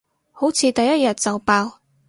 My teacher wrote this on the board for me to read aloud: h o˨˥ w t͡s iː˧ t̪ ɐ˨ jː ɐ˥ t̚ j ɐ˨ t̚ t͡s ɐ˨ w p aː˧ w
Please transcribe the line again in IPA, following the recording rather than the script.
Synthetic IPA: h o˨˥ w t͡sʰ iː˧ t̪ ɐ˨ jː ɐ˥ t̚ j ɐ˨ t̚ t͡s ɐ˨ w p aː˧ w

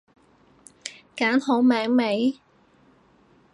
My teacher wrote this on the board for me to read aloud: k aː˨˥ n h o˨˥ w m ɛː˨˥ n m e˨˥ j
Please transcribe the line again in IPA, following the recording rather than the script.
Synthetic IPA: k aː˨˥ n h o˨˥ w m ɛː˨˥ ŋ m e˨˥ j

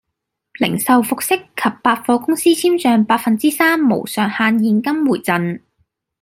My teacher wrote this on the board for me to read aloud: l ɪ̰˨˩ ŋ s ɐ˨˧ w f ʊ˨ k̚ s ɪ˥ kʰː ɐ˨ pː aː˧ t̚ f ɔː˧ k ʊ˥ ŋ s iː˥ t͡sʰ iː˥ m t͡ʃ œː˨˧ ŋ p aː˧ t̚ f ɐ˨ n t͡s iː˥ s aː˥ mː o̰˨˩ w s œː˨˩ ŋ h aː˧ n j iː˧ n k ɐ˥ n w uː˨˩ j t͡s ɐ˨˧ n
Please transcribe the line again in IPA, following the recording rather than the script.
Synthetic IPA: l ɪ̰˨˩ ŋ s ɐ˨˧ w f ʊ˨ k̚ s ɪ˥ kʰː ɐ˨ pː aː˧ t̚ f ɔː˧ k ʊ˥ ŋ s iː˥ t͡sʰ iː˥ m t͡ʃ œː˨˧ ŋ p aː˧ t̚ f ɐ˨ n t͡s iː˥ s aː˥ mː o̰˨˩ w s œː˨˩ ŋ h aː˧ n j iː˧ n k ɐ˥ m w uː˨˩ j t͡s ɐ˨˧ n

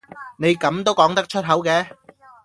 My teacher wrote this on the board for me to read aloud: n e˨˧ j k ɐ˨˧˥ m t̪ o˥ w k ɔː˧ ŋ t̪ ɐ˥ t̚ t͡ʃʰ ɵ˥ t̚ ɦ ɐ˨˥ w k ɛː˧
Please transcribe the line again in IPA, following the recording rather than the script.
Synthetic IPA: n e˨˧ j k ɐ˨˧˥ m t̪ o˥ w k ɔː˨˥ ŋ t̪ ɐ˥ k̚ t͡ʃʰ ɵ˥ t̚ ɦ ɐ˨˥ w k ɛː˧

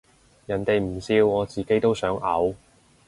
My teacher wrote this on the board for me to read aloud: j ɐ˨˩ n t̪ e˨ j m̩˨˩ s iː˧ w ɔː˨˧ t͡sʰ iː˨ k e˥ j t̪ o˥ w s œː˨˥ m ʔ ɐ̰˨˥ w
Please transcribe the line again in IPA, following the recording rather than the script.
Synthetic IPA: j ɐ˨˩ n t̪ e˨ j m̩˨˩ s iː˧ w ɔː˨˧ t͡s iː˨ k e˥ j t̪ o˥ w s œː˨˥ ŋ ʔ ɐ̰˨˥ w

